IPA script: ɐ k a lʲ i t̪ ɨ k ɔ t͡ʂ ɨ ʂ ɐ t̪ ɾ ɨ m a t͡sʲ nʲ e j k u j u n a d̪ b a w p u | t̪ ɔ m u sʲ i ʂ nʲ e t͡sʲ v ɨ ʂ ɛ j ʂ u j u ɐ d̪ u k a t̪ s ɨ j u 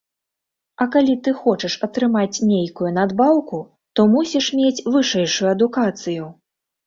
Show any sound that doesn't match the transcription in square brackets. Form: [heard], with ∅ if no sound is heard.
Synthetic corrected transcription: ɐ k a lʲ i t̪ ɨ [x] ɔ t͡ʂ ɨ ʂ ɐ t̪ ɾ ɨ m a t͡sʲ nʲ e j k u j u n a d̪ b a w [k] u | t̪ ɔ m u sʲ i ʂ [mʲ] e t͡sʲ v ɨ ʂ ɛ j ʂ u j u ɐ d̪ u k a t̪ s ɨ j u